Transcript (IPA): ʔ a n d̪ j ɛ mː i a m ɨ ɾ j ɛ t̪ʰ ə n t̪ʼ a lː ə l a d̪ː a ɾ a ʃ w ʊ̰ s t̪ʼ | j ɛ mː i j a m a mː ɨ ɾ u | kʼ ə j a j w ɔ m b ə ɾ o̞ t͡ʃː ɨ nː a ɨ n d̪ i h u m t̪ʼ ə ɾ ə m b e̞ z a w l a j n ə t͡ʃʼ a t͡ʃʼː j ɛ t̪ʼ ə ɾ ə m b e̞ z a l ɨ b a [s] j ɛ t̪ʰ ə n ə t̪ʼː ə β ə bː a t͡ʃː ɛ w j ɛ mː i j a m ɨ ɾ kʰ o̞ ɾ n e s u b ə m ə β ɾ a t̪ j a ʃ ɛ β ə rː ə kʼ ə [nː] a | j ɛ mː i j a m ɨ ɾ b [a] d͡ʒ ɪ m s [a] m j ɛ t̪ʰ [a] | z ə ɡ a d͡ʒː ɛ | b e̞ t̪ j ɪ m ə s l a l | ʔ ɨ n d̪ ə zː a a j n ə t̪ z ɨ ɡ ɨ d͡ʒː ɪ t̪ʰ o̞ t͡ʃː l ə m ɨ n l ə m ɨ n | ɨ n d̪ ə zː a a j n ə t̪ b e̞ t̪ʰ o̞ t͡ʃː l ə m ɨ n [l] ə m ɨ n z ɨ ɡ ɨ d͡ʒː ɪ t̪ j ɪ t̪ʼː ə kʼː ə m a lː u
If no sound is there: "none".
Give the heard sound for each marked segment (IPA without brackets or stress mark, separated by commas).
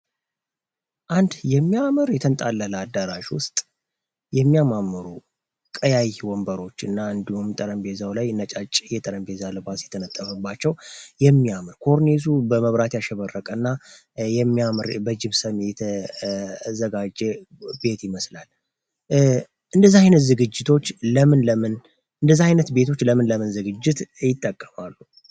s, nː, ə, ə, ə, l